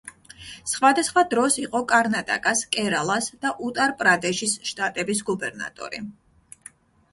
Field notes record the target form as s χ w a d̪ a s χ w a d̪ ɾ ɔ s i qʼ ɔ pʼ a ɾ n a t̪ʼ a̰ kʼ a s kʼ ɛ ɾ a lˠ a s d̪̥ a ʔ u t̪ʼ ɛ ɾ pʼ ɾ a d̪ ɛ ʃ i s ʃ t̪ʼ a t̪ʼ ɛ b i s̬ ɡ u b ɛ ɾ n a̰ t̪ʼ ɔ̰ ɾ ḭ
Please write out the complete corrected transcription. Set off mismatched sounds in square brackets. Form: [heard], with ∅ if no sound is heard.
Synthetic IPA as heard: s χ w a d̪ a s χ w a d̪ ɾ ɔ s i qʼ ɔ [kʼ] a ɾ n a t̪ʼ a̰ kʼ a s kʼ ɛ ɾ a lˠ a s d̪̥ a ʔ u t̪ʼ [a] ɾ pʼ ɾ a d̪ ɛ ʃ i s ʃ t̪ʼ a t̪ʼ ɛ b i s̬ ɡ u b ɛ ɾ n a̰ t̪ʼ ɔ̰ ɾ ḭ